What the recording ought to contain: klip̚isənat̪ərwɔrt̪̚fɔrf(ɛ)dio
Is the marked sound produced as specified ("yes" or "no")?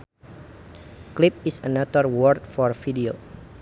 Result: no